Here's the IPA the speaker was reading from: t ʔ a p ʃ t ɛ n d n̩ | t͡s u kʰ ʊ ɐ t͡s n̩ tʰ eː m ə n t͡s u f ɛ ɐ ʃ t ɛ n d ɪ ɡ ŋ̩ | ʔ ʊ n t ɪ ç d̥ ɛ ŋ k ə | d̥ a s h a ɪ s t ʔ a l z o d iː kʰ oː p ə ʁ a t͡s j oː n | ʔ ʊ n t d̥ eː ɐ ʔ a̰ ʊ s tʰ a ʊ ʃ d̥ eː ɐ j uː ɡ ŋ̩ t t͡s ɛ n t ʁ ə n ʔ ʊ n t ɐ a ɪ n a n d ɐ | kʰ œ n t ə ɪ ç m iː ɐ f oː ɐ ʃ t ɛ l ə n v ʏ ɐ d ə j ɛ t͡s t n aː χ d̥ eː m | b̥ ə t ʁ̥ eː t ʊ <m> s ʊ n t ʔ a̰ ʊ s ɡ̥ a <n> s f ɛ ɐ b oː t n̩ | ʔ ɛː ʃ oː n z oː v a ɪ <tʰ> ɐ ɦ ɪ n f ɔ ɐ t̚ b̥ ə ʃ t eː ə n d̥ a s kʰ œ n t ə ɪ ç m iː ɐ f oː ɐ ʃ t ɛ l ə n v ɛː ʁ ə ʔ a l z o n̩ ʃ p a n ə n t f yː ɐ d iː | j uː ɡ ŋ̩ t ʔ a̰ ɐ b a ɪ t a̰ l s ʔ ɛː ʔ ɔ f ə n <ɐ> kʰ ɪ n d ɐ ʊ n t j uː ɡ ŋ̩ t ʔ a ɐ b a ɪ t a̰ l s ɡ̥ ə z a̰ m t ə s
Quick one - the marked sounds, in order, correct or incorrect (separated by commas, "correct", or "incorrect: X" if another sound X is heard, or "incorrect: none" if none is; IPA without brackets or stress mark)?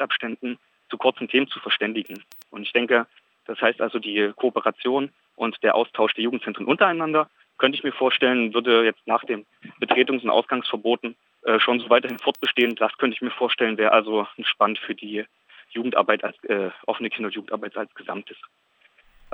incorrect: ŋ, incorrect: ŋ, incorrect: t, incorrect: ə